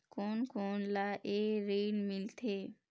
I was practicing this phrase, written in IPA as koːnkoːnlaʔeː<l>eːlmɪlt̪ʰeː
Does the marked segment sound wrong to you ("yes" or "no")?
yes